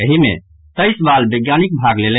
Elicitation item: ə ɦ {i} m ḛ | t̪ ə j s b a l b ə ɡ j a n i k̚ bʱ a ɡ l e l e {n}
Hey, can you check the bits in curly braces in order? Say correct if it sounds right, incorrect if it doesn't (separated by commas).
correct, incorrect